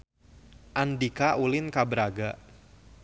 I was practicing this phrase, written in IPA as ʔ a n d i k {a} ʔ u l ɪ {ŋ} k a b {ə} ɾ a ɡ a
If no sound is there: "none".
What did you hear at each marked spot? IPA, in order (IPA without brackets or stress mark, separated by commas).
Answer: a, n, ə